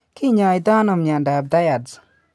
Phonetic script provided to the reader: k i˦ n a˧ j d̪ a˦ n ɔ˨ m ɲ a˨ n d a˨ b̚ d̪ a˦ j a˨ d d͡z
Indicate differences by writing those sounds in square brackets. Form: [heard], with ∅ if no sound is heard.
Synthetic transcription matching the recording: k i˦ [ɲ] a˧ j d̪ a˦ n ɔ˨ m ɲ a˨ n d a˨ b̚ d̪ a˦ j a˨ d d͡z